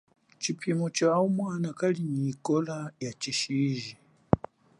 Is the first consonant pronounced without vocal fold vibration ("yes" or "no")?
yes